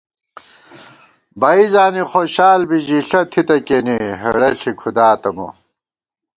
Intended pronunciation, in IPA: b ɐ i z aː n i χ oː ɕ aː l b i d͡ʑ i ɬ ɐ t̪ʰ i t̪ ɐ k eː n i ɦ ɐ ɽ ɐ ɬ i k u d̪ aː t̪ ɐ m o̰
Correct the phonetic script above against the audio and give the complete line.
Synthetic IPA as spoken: b ɐ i z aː n i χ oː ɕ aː l b i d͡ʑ i ɬ ɐ t̪ʰ i t̪ ɐ k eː n i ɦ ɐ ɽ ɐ ɬ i kʰ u d̪ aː t̪ ɐ m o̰